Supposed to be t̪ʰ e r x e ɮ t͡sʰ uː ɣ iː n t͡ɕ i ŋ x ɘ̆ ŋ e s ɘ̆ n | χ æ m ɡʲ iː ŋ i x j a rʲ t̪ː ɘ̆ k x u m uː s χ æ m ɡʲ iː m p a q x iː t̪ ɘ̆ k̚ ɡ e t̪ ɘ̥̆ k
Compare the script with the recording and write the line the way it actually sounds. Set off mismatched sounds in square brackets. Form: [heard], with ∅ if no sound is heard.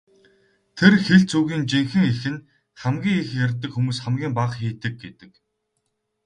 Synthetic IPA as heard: t̪ʰ e r x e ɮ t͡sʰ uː ɣ iː n t͡ɕ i ŋ x ɘ̆ ŋ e [x] ɘ̆ n | χ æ m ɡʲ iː ŋ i x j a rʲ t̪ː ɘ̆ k x u m uː s χ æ m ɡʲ iː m p a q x iː t̪ ɘ̆ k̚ ɡ e t̪ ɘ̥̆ k